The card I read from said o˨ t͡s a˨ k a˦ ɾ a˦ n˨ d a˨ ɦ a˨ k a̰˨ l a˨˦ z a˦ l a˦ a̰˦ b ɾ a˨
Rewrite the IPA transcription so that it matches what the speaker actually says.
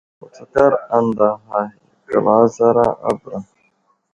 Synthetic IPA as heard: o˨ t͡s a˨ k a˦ ɾ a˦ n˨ d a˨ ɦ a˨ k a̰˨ l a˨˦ z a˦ ɾ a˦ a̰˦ b ɾ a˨